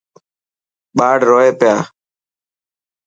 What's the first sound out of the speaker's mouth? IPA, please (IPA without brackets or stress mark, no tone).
ɓ